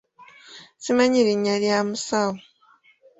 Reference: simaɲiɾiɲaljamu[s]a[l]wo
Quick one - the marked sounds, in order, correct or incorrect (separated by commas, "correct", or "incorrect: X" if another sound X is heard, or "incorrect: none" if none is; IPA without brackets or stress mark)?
correct, incorrect: none